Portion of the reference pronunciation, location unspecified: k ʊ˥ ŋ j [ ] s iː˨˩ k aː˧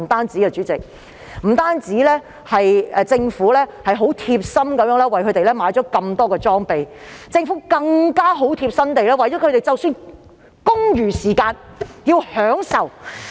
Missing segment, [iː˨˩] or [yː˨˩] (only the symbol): yː˨˩